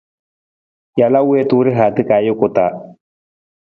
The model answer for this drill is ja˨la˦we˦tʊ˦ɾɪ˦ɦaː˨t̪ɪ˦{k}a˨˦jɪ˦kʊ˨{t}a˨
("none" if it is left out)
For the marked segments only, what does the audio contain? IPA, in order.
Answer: k, t

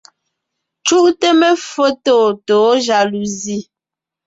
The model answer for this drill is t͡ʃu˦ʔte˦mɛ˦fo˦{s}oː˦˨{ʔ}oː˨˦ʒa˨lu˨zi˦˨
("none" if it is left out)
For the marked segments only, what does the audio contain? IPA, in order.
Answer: t, t

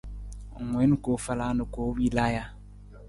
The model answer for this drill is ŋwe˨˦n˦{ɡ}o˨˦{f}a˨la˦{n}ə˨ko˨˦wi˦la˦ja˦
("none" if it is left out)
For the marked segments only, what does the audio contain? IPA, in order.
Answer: k, f, n

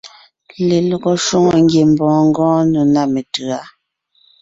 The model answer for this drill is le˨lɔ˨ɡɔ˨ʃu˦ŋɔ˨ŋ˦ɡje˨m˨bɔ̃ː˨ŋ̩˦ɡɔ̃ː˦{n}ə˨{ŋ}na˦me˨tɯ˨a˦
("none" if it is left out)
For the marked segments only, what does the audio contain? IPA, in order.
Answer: n, none

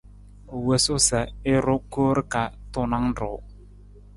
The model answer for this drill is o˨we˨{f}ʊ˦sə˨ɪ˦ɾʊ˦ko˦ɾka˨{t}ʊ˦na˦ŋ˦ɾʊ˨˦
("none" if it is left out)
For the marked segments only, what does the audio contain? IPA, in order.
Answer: s, t

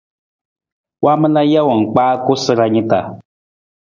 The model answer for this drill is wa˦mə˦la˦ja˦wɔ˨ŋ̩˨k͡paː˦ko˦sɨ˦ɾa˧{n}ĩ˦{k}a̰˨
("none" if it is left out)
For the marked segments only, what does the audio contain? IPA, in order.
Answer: ɲ, t

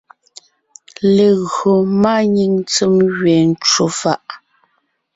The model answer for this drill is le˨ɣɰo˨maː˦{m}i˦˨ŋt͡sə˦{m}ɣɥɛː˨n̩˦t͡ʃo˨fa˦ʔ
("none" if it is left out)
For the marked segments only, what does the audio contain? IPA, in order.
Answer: ɲ, m

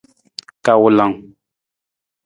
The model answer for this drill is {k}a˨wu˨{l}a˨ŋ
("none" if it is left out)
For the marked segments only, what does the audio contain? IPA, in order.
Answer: k, l

